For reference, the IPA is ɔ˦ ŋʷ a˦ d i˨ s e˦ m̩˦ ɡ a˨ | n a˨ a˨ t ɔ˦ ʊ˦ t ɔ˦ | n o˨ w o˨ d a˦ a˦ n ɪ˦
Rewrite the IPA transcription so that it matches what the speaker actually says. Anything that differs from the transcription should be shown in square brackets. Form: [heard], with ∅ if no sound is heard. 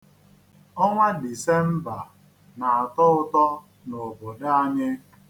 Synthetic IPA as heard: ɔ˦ ŋʷ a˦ d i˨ s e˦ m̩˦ [b] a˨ | n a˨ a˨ t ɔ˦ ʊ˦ t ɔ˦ | n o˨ [b] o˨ d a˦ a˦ [ɲ] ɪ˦

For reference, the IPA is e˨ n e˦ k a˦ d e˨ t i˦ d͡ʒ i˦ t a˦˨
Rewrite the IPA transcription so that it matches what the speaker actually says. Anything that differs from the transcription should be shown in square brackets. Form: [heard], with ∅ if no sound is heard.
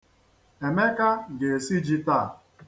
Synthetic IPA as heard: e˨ [m] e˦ k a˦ [ɡ] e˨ [s] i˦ d͡ʒ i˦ t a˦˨

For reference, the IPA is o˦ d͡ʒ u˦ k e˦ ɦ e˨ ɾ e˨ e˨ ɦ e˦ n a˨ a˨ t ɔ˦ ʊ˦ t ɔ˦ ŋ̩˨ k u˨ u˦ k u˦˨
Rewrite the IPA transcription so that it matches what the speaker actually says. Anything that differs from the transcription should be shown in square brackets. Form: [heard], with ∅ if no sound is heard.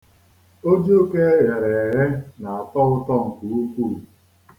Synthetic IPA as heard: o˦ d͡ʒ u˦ k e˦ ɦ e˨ ɾ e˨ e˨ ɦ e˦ n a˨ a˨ t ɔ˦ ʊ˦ t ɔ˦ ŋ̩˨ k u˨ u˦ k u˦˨

